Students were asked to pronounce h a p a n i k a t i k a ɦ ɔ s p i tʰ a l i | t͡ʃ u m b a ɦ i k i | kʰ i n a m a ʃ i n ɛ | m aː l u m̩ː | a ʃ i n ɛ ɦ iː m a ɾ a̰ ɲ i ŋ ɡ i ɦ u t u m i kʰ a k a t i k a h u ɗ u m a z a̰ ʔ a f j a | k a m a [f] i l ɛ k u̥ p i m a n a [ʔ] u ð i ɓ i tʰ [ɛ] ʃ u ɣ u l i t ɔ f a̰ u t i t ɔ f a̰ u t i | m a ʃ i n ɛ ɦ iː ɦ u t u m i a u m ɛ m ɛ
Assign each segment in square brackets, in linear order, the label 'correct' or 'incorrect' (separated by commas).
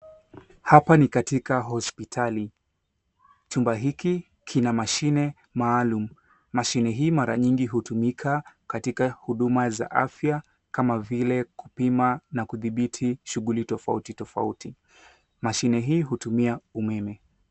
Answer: incorrect, incorrect, incorrect